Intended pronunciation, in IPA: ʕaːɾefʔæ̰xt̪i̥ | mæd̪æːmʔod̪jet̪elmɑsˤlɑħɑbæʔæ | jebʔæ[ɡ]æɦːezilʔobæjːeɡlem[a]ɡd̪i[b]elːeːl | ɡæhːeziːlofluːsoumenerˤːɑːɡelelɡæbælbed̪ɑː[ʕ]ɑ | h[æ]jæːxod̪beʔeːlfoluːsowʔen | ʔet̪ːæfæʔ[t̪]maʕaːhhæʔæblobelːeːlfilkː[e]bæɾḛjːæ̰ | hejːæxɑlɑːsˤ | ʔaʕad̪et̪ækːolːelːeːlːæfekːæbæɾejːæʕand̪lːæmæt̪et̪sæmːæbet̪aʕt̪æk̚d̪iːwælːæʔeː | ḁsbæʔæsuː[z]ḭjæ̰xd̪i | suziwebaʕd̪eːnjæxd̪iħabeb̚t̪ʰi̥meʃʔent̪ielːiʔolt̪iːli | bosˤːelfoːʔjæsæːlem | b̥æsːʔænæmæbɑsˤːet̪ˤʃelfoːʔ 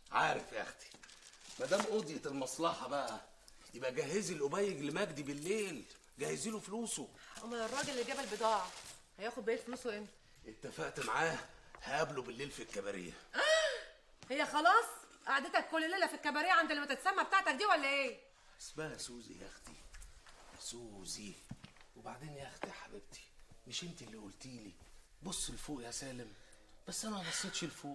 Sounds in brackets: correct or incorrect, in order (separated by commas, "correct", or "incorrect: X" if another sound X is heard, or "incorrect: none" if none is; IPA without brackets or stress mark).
correct, incorrect: æ, correct, correct, correct, correct, incorrect: æ, correct